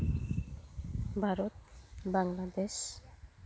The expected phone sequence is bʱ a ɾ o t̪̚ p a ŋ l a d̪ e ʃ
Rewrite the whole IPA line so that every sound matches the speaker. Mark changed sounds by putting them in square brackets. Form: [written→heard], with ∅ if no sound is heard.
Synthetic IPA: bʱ a ɾ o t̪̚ [p→b] a ŋ l a d̪ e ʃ